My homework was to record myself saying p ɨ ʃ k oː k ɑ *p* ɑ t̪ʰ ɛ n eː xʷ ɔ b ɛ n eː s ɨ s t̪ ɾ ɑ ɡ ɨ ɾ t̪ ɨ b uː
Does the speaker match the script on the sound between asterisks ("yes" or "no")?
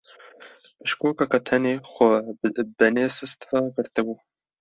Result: no